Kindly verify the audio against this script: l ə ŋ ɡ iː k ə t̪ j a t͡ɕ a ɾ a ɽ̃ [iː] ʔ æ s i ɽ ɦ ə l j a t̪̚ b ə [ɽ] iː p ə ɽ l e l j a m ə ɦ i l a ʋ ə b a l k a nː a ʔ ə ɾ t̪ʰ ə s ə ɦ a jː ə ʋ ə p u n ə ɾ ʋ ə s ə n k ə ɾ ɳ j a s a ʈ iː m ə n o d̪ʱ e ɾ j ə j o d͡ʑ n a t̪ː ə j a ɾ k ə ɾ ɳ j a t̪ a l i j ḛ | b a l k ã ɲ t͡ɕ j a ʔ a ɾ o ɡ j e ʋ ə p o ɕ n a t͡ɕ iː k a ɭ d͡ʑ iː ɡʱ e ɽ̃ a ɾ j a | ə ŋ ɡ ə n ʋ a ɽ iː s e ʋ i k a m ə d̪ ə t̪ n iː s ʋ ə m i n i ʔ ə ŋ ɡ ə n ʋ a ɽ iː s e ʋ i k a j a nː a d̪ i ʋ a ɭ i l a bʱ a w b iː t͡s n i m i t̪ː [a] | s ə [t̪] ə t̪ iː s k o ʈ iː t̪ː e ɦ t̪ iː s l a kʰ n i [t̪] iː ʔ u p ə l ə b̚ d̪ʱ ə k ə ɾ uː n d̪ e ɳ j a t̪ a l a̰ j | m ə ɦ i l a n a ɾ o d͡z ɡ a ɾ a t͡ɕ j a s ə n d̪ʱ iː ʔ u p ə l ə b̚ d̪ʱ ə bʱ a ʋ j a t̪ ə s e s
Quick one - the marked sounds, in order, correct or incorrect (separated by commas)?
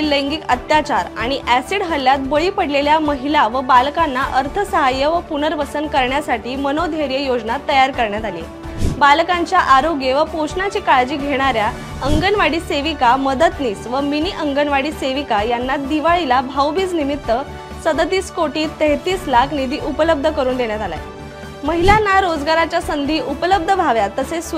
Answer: incorrect, incorrect, incorrect, incorrect, incorrect